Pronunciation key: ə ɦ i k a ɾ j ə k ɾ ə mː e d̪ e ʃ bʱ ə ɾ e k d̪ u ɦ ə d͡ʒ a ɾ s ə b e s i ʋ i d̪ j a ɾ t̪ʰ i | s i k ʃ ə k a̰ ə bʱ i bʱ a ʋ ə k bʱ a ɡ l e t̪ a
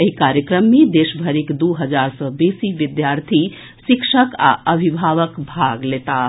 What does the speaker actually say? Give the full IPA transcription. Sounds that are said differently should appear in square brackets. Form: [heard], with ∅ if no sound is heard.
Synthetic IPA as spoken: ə ɦ i k a ɾ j ə k ɾ ə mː e d̪ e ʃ bʱ ə ɾ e k d̪ u ɦ ə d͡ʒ a ɾ s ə b e s i ʋ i d̪ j a ɾ t̪ʰ i | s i k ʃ ə k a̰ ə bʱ i bʱ a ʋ ə k bʱ a ɡ l e t̪ a